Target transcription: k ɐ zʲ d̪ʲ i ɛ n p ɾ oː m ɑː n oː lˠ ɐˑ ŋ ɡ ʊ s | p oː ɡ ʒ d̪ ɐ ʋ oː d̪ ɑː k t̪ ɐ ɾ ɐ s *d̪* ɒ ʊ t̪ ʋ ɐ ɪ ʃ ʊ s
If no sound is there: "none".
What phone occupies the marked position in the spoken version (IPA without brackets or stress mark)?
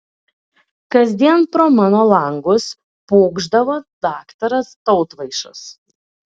t̪